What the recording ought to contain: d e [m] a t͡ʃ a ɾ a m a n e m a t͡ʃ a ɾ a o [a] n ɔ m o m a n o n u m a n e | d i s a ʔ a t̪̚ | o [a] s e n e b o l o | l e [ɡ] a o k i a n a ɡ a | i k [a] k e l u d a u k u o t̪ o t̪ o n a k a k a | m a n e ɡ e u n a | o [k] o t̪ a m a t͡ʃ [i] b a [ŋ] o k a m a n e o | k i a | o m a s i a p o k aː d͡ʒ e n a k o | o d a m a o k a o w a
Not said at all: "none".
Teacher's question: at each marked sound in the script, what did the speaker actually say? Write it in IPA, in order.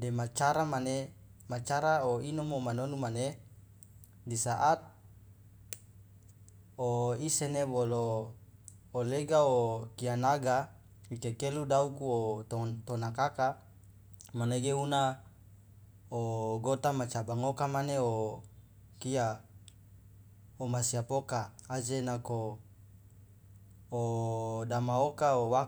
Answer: m, i, i, ɡ, e, ɡ, a, ŋ

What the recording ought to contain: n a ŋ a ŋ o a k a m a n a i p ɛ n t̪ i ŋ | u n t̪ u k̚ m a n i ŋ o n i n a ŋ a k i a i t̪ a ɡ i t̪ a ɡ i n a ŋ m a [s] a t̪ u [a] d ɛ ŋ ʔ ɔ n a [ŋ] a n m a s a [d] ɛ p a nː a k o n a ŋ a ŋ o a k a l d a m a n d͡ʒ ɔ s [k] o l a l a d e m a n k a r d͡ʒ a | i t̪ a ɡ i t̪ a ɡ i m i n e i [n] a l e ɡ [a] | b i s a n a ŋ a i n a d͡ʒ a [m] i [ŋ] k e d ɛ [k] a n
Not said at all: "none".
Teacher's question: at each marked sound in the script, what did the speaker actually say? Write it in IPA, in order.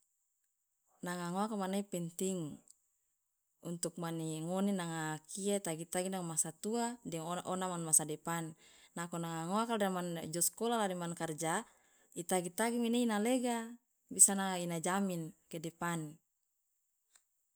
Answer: s, a, m, d, k, n, a, m, n, p

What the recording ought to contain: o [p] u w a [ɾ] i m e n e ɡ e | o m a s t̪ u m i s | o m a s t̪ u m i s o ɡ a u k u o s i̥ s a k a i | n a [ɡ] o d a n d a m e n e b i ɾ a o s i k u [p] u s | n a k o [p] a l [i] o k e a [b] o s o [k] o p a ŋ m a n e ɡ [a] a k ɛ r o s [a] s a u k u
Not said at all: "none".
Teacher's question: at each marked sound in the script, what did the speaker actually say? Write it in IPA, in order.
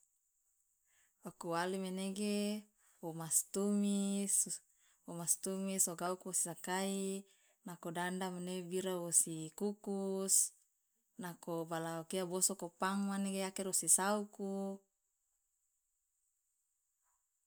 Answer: k, l, k, k, b, a, b, k, e, i

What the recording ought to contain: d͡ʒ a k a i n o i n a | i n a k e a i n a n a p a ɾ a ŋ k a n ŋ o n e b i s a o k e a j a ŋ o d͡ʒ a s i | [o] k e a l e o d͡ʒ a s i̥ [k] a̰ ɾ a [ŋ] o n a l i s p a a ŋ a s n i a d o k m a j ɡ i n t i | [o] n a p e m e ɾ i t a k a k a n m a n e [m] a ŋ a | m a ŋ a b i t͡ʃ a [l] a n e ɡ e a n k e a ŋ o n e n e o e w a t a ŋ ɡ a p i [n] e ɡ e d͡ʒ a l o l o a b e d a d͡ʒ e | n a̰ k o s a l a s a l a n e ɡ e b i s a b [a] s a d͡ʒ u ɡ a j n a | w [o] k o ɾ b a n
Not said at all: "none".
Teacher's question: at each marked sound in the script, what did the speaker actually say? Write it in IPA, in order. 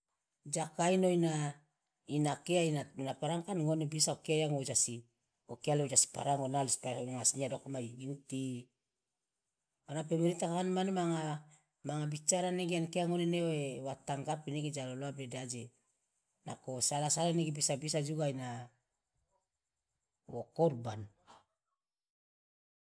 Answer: o, p, ŋ, o, m, ɾ, n, i, o

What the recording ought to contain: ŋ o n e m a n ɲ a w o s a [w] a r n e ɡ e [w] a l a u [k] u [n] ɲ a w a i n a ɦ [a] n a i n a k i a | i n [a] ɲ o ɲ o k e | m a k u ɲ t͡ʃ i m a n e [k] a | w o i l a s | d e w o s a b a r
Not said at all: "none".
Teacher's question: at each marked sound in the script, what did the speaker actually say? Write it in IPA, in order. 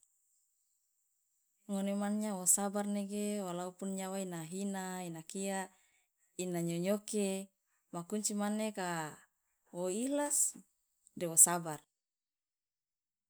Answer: b, w, p, n, i, a, k

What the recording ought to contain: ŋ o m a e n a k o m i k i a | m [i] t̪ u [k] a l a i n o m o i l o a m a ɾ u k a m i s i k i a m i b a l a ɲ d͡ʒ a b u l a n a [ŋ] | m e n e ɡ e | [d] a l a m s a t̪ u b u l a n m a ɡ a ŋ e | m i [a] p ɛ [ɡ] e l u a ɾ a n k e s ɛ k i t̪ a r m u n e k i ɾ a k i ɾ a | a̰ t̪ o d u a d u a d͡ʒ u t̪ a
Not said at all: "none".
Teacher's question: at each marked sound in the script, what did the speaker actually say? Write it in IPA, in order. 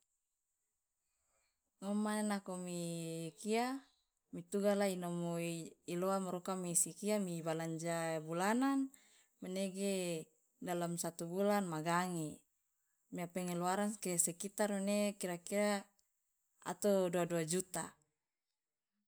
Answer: i, ɡ, n, d, a, ŋ

